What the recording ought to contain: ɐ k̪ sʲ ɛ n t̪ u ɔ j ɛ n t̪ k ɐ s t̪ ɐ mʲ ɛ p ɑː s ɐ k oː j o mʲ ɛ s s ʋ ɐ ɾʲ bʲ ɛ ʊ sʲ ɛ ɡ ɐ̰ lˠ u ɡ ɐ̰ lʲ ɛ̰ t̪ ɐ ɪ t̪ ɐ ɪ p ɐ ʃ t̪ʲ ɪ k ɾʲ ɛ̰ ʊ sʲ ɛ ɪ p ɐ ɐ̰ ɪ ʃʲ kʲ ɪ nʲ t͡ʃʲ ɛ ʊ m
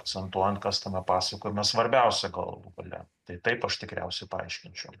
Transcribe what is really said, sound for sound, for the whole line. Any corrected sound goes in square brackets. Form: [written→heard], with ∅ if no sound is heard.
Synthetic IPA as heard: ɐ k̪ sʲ ɛ n t̪ u ɔ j ɛ n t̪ k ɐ s t̪ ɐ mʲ ɛ p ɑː s ɐ k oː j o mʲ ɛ s s ʋ ɐ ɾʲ bʲ ɛ ʊ sʲ ɛ ɡ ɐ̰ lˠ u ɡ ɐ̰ lʲ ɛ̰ t̪ ɐ ɪ t̪ ɐ ɪ p ɐ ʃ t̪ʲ ɪ k ɾʲ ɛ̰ ʊ sʲ ɛ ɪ p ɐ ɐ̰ ɪ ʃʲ kʲ ɪ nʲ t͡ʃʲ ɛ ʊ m